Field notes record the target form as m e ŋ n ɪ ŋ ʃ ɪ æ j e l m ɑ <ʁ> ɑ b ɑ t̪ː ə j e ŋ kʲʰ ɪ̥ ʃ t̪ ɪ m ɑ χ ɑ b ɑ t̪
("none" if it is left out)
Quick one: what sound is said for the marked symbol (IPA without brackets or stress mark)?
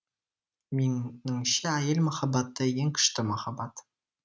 χ